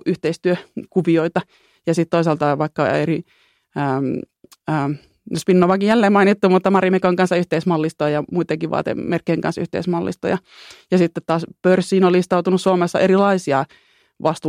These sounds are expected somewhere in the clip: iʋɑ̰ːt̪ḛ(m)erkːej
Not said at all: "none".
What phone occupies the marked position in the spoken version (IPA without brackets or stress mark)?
m